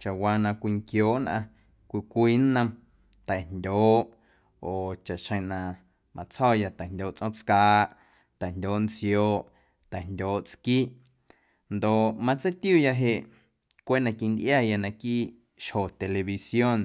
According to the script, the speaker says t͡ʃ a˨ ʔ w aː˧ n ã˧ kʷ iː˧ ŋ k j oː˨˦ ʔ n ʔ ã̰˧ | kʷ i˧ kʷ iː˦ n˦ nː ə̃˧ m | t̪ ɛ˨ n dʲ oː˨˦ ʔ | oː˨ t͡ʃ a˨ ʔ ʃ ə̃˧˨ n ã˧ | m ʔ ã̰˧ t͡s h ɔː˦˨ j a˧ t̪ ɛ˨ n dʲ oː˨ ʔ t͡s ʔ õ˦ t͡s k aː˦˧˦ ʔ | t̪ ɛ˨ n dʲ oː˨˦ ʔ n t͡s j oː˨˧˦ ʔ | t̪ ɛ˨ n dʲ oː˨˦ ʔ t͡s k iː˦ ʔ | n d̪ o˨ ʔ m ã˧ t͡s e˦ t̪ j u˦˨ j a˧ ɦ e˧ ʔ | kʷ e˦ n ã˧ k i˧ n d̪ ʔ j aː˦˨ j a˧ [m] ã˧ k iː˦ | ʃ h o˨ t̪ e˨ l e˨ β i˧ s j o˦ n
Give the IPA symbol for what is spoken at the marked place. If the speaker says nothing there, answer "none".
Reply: n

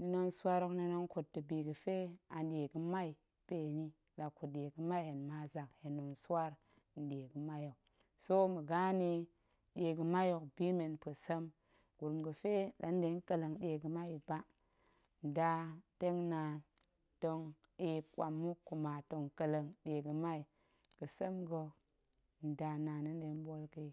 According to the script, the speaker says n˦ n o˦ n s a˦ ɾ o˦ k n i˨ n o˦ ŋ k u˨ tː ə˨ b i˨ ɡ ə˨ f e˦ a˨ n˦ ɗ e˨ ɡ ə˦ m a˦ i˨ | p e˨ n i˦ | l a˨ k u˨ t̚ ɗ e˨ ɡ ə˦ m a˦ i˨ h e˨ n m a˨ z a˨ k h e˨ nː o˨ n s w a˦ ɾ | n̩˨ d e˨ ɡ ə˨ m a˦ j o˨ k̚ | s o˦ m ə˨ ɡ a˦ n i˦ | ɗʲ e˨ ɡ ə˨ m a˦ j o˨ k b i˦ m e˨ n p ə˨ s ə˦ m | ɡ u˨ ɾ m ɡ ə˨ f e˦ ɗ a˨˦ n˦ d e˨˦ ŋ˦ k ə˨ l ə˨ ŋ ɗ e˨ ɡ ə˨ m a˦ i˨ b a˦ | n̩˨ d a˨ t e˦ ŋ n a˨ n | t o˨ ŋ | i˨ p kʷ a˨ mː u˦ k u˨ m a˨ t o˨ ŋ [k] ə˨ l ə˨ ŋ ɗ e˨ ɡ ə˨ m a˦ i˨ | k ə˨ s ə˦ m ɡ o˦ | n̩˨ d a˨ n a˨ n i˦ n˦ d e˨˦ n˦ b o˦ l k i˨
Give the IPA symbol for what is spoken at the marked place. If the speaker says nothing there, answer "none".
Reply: k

